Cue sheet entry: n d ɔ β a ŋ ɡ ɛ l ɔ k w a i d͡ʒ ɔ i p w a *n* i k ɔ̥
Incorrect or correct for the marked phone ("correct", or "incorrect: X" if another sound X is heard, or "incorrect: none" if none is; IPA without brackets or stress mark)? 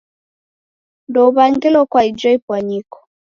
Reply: incorrect: ɲ